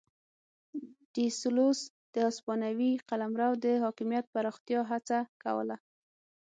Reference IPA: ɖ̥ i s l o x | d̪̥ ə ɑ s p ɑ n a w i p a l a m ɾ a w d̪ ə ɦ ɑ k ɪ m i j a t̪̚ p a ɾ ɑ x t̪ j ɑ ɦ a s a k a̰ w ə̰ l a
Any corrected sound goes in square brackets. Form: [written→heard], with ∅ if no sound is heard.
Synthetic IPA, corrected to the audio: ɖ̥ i s l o [x→s] | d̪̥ ə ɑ s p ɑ n a w i [p→q] a l a m ɾ a w d̪ ə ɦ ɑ k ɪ m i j a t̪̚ p a ɾ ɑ x t̪ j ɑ ɦ a [s→t͡s] a k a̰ w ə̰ l a